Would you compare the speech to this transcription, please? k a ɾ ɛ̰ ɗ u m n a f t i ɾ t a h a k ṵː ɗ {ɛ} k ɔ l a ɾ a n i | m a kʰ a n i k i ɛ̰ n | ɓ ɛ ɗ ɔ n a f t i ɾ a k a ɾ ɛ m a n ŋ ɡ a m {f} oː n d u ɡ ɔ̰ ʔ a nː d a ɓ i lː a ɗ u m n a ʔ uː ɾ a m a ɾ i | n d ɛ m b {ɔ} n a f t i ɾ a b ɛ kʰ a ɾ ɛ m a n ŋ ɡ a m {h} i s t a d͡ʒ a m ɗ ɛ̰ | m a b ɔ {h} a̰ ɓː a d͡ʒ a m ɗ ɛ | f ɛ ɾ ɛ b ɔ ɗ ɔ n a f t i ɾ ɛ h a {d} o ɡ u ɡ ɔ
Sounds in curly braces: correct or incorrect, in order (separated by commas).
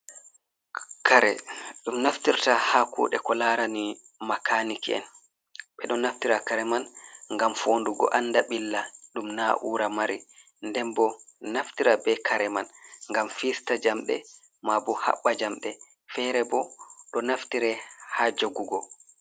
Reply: correct, correct, correct, incorrect, correct, incorrect